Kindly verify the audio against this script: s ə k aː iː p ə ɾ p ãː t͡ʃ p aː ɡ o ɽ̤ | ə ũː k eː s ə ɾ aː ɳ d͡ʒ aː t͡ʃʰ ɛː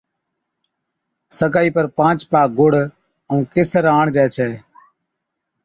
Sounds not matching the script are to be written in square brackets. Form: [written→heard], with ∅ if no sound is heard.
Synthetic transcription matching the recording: s ə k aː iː p ə ɾ p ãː t͡ʃ p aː ɡ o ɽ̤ | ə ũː k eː s ə ɾ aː ɳ d͡ʒ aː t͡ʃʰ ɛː